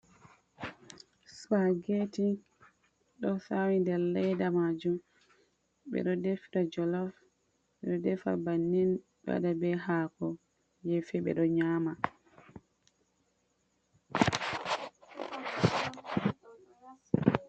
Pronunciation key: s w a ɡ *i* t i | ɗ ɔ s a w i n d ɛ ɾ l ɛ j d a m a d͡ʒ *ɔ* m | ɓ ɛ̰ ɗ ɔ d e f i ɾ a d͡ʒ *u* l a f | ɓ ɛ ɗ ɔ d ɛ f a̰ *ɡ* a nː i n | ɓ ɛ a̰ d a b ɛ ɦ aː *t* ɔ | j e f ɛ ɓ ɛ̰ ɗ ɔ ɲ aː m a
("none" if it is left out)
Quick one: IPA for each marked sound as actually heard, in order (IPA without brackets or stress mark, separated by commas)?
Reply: e, u, ɔ, b, k